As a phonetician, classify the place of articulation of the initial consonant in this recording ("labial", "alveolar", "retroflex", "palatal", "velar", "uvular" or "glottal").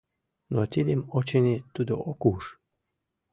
alveolar